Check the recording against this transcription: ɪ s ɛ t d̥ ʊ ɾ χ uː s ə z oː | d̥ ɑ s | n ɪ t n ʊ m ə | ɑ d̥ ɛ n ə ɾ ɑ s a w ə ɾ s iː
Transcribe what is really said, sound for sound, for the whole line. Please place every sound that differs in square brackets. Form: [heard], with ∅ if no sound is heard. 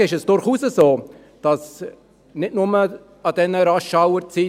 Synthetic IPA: ɪ [ʃ] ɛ [s] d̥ ʊ ɾ χ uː s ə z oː | d̥ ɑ s | n ɪ t n ʊ m ə | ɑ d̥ ɛ n ə ɾ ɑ [ʃ] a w ə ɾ [t͡s] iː